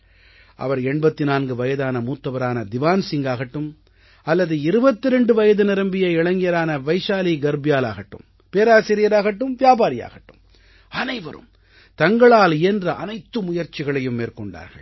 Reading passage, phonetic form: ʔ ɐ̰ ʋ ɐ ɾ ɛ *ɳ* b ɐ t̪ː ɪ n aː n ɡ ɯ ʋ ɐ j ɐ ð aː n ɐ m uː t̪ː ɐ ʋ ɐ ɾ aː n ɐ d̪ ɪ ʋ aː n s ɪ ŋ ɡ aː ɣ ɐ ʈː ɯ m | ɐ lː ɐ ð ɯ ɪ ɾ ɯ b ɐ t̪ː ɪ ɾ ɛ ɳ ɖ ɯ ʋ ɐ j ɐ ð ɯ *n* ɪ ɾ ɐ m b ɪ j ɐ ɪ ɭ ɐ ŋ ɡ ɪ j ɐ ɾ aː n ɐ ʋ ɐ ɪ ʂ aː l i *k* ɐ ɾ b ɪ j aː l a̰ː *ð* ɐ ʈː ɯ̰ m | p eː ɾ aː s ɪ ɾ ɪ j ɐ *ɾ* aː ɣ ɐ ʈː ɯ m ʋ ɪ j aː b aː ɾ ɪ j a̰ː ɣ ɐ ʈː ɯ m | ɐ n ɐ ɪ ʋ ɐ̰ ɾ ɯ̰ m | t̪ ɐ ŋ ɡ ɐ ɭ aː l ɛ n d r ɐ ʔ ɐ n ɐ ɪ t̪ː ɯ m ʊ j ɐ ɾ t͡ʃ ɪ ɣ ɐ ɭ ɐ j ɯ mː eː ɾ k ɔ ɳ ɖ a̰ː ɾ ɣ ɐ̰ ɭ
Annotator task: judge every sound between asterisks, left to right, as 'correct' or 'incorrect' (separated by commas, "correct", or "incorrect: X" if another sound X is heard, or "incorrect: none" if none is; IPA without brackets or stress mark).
correct, correct, incorrect: ɡ, incorrect: ɣ, correct